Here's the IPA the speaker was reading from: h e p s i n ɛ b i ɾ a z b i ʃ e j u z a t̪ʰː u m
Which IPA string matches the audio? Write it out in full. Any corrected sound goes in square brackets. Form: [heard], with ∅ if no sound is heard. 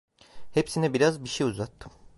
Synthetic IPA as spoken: h e p s i n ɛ b i ɾ a z b i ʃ e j u z a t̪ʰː [ɯ] m